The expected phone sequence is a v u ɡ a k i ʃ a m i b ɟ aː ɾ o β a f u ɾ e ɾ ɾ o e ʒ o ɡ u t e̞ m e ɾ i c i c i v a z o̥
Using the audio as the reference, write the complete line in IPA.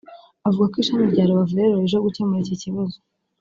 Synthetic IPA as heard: a v u ɡ a k i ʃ a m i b ɟ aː ɾ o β a v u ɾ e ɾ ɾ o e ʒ o ɡ u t e̞ m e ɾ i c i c i β a z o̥